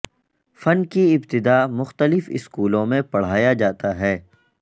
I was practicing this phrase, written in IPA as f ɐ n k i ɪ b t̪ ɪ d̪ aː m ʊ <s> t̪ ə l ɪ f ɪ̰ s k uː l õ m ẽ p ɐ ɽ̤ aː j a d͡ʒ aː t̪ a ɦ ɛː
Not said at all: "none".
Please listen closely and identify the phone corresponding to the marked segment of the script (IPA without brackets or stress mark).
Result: x